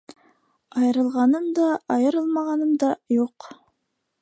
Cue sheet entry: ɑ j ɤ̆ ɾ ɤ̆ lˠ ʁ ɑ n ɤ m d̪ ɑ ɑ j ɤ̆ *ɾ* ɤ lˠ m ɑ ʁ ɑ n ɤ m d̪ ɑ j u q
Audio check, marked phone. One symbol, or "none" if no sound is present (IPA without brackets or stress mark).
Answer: ɾ